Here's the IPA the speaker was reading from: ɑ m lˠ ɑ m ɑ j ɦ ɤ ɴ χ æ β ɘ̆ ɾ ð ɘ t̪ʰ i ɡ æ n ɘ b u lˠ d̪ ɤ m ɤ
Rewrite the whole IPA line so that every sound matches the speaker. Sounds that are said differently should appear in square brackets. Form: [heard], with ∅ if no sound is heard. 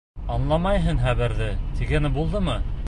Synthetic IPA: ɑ [n] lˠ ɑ m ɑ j ɦ ɤ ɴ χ æ β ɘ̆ ɾ ð ɘ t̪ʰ i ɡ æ n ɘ b u lˠ d̪ ɤ m ɤ